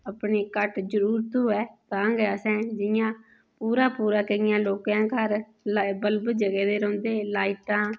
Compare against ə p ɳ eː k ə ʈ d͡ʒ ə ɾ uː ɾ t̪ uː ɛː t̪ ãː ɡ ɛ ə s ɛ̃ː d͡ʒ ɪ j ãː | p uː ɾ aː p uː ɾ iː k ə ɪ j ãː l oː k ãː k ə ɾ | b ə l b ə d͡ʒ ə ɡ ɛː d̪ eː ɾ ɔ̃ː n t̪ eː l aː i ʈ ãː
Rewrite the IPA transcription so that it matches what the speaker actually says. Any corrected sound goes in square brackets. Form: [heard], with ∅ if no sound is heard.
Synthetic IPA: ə p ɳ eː k ə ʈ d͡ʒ ə ɾ uː ɾ t̪ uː ɛː t̪ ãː ɡ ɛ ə s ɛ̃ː d͡ʒ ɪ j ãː | p uː ɾ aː p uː ɾ [aː] k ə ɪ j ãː l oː k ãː k ə ɾ | b ə l b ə d͡ʒ ə ɡ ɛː d̪ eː ɾ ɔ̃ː n [d̪] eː l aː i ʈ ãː